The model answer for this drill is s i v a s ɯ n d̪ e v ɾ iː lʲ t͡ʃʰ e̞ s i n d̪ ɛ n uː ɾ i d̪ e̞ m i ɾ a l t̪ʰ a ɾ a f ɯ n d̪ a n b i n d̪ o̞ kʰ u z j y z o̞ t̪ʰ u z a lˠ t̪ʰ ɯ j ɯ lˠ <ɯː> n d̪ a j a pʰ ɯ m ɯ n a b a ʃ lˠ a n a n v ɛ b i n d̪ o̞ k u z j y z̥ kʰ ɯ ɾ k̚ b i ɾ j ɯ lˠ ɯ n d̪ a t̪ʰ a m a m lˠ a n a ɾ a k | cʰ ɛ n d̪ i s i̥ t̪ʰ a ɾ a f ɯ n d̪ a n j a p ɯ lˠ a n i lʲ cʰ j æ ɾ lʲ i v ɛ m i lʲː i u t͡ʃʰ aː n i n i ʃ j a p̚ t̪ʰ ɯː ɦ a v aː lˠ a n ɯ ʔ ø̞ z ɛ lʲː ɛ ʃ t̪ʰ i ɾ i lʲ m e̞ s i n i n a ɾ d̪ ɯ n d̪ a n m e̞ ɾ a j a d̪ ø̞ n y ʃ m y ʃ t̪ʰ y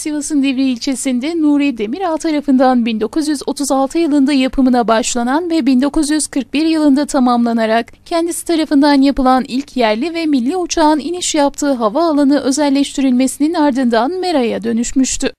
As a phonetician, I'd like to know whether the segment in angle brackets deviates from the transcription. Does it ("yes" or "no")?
yes